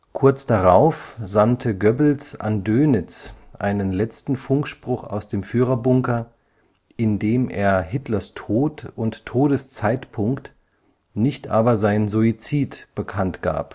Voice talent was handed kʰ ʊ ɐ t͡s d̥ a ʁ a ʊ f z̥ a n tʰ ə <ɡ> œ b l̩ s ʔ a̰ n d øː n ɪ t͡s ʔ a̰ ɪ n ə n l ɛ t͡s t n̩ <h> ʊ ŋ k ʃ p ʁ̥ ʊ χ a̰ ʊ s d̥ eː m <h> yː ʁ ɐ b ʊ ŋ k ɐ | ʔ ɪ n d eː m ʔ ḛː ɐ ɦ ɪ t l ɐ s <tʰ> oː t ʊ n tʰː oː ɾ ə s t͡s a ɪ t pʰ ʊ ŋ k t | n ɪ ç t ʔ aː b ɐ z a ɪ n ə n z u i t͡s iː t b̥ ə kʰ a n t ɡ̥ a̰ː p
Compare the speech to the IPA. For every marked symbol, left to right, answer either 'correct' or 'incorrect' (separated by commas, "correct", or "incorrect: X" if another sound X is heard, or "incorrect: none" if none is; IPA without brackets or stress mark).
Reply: correct, incorrect: f, incorrect: f, correct